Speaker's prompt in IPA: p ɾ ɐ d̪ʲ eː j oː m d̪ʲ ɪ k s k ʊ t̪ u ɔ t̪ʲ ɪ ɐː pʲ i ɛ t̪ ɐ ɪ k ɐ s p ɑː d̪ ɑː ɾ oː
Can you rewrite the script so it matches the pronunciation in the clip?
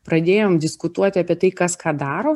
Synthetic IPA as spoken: p ɾ ɐ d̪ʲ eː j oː m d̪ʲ ɪ s k ʊ t̪ u ɔ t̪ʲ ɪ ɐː pʲ i ɛ t̪ ɐ ɪ k ɐ s k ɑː d̪ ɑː ɾ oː

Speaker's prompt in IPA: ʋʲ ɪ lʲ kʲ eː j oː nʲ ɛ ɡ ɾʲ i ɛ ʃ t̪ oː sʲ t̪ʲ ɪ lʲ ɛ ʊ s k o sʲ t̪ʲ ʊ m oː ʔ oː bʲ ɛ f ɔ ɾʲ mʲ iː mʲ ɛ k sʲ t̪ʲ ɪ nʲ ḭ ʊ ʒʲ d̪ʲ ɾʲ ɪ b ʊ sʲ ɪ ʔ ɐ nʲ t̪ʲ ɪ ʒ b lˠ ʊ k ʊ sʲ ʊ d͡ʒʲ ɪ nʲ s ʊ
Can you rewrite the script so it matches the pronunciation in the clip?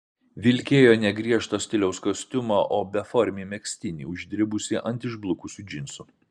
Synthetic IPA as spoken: ʋʲ ɪ lʲ kʲ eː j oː nʲ ɛ ɡ ɾʲ i ɛ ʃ t̪ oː sʲ t̪ʲ ɪ lʲ ɛ ʊ s k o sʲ t̪ʲ ʊ m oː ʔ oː bʲ ɛ f ɔ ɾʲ mʲ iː mʲ ɛ k sʲ t̪ʲ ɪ nʲ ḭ ʊ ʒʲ d̪ʲ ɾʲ ɪ b ʊ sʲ ɪ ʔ ɐ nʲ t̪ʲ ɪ ʒ b lˠ ʊ k ʊ sʲ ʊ d͡ʒʲ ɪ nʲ s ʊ

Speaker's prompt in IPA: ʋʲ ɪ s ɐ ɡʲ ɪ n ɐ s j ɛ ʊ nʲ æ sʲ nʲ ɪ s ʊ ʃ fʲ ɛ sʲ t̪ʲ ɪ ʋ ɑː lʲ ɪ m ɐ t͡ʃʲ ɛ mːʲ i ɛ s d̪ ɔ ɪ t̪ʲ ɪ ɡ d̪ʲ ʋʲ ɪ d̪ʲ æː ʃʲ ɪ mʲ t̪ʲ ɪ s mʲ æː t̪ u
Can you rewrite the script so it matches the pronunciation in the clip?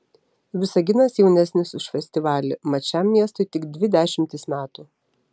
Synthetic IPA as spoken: ʋʲ ɪ s ɐ ɡʲ ɪ n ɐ s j ɛ ʊ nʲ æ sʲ nʲ ɪ s ʊ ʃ fʲ ɛ sʲ t̪ʲ ɪ ʋ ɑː lʲ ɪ m ɐ t͡ʃʲ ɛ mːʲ i ɛ s t̪ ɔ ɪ t̪ʲ ɪ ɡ d̪ʲ ʋʲ ɪ d̪ʲ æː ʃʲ ɪ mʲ t̪ʲ ɪ s mʲ æː t̪ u

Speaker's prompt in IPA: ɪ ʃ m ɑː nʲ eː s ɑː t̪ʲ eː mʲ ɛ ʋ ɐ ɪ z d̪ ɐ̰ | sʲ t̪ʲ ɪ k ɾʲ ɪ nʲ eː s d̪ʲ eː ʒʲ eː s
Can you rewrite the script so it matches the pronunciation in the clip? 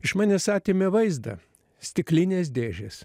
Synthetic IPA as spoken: ɪ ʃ m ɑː nʲ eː s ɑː t̪ʲ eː mʲ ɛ ʋ ɐ ɪ z d̪ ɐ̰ | sʲ t̪ʲ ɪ k lʲ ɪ nʲ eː s d̪ʲ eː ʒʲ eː s

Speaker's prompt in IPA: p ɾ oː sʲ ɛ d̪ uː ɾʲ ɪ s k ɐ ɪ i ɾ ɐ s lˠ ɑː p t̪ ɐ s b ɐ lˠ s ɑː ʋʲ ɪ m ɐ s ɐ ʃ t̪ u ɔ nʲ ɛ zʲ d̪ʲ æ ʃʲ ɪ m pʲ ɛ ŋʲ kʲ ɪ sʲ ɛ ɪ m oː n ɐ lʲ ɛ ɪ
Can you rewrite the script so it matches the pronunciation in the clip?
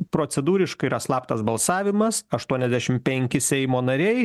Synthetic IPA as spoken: p ɾ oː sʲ ɛ d̪ uː ɾʲ ɪ ʃ k ɐ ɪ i ɾ ɐ s lˠ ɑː p t̪ ɐ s b ɐ lˠ s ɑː ʋʲ ɪ m ɐ s ɐ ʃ t̪ u ɔ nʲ ɛ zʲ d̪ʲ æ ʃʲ ɪ m pʲ ɛ ŋʲ kʲ ɪ sʲ ɛ ɪ m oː n ɐ ɾʲ ɛ ɪ

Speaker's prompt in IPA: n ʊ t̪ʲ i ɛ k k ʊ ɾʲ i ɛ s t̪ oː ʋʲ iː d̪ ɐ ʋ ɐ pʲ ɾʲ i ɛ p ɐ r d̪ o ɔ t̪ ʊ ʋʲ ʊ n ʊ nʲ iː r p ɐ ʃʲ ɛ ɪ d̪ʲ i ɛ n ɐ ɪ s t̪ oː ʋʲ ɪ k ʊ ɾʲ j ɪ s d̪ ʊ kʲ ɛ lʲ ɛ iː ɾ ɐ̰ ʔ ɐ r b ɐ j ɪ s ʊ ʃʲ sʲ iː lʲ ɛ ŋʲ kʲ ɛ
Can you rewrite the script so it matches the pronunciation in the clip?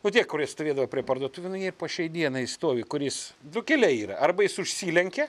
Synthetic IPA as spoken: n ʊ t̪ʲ i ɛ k k ʊ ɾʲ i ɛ s t̪ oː ʋʲ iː d̪ ɐ ʋ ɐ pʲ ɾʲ i ɛ p ɐ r d̪ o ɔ t̪ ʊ ʋʲ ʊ n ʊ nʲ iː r p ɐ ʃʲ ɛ ɪ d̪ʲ i ɛ n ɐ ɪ s t̪ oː ʋʲ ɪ k ʊ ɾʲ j ɪ s d̪ ʊ kʲ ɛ lʲ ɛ iː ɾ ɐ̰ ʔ ɐ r b ɐ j ɪ s ʊ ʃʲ sʲ iː lʲ ɛ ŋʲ kʲ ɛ

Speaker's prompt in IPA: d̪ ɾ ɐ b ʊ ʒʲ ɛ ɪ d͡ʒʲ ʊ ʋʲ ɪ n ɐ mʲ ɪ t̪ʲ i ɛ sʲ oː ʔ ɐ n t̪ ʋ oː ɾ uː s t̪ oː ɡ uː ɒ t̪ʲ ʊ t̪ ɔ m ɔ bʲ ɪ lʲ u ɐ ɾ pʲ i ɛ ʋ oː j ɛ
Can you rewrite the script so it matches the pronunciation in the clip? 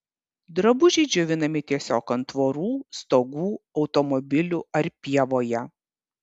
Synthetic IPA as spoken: d̪ ɾ ɐ b ʊ ʒʲ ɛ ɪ d͡ʒʲ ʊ ʋʲ ɪ n ɐ mʲ ɪ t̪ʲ i ɛ sʲ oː k ɐ n t̪ ʋ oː ɾ uː s t̪ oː ɡ uː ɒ ʊ t̪ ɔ m ɔ bʲ ɪ lʲ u ɐ ɾ pʲ i ɛ ʋ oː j ɛ

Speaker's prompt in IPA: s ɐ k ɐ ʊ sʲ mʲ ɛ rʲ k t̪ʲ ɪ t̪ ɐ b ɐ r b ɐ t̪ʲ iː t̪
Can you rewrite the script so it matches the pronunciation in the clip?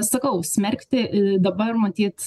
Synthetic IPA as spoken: s ɐ k ɐ ʊ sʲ mʲ ɛ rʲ k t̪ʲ ɪ d̪ ɐ b ɐ r m ɐ t̪ʲ iː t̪

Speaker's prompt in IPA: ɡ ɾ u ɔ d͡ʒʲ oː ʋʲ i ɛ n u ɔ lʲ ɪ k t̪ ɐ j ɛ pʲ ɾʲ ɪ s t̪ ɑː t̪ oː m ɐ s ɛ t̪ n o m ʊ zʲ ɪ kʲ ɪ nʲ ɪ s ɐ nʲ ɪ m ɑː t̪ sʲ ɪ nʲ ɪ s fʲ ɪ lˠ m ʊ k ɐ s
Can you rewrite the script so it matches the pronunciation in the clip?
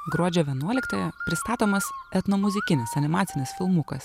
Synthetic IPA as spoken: ɡ ɾ u ɔ d͡ʒʲ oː ʋʲ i ɛ n u ɔ lʲ ɪ k t̪ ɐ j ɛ pʲ ɾʲ ɪ s t̪ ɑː t̪ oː m ɐ s ɛ t̪ n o m ʊ zʲ ɪ kʲ ɪ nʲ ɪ s ɐ nʲ ɪ m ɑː t̪ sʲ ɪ nʲ ɪ s fʲ ɪ lˠ m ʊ k ɐ s

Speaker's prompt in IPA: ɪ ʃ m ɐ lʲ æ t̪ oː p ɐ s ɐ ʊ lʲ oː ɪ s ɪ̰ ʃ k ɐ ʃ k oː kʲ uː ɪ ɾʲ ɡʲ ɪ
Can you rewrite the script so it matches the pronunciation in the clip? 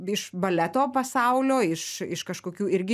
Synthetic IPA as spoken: ɪ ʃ b ɐ lʲ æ t̪ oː p ɐ s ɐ ʊ lʲ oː ɪ ʃ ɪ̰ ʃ k ɐ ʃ k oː kʲ uː ɪ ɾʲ ɡʲ ɪ

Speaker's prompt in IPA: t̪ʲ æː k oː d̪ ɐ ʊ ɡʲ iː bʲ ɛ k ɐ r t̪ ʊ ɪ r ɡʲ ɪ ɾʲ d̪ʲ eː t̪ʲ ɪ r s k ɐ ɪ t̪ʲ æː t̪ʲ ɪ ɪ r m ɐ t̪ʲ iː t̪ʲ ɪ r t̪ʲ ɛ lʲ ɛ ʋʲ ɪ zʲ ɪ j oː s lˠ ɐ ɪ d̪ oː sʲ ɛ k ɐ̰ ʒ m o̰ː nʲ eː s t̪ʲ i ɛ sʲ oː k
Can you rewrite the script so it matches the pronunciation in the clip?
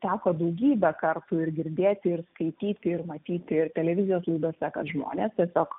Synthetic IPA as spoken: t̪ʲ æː k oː d̪ ɐ ʊ ɡʲ iː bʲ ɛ k ɐ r t̪ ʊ ɪ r ɡʲ ɪ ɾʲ d̪ʲ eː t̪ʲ ɪ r s k ɐ ɪ t̪ʲ iː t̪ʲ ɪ ɪ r m ɐ t̪ʲ iː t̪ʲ ɪ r t̪ʲ ɛ lʲ ɛ ʋʲ ɪ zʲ ɪ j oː s lˠ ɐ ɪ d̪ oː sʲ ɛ k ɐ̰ ʒ m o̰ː nʲ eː s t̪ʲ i ɛ sʲ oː k

